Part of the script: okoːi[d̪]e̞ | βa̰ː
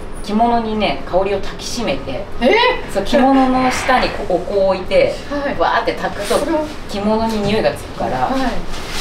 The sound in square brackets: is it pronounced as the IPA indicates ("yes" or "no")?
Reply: no